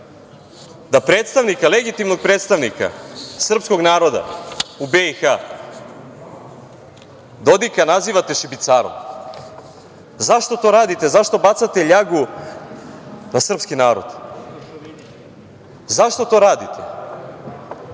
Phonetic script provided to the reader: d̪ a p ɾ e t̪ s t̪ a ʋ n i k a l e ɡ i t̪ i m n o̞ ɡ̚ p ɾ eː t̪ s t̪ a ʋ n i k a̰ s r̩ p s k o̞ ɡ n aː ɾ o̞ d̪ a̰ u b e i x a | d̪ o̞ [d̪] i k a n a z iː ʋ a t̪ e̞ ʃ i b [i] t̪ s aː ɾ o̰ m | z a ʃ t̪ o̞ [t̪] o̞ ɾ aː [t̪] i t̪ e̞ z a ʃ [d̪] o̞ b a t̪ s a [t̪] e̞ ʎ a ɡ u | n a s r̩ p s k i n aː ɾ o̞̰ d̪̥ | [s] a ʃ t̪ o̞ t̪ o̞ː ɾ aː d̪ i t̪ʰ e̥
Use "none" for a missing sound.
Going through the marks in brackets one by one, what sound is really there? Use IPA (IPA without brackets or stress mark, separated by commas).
d̪, i, t̪, d̪, t̪, t̪, z